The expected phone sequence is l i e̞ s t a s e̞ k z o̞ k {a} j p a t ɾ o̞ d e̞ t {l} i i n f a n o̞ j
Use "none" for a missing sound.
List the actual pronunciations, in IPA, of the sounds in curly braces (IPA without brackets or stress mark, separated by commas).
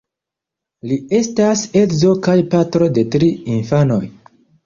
a, ɾ